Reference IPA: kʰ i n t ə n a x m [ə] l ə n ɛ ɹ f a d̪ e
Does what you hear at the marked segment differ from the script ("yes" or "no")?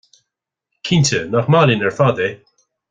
yes